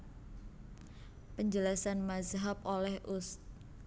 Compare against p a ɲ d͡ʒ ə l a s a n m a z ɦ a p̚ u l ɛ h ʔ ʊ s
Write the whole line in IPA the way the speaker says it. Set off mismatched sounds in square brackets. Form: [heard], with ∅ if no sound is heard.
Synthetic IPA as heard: p [ə] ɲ d͡ʒ ə l a s a n m a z ɦ a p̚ [o] l ɛ h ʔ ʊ s